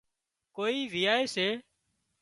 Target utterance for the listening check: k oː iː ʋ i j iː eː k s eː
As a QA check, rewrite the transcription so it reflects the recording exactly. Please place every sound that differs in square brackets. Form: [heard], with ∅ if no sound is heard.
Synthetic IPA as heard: k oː iː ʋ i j [aː] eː [∅] s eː